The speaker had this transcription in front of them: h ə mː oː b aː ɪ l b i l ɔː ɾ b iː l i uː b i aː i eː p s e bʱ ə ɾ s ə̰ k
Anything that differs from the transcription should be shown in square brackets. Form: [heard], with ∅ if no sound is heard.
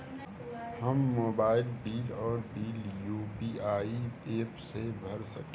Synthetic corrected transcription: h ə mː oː b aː ɪ l b [iː] l ɔː ɾ b iː l [j] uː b i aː i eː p s e bʱ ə ɾ s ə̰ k